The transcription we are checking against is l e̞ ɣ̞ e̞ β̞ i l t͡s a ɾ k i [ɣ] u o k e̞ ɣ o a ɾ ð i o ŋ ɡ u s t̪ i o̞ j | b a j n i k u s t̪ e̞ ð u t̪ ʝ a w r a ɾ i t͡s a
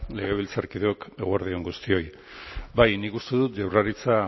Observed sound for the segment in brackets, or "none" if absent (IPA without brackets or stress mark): ð